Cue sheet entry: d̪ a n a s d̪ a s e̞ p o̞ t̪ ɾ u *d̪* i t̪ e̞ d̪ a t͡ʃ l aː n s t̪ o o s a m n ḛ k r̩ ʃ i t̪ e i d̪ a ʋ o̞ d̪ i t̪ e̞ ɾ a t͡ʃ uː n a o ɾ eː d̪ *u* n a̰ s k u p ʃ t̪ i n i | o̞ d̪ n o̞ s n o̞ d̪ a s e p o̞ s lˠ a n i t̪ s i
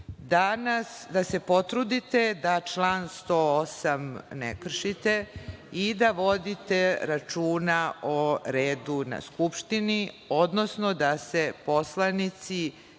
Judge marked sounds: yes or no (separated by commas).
yes, yes